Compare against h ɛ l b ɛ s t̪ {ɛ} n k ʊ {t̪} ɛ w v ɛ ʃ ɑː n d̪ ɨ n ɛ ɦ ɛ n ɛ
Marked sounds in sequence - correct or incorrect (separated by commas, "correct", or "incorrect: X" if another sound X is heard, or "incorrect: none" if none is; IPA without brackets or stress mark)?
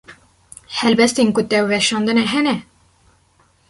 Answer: incorrect: e, correct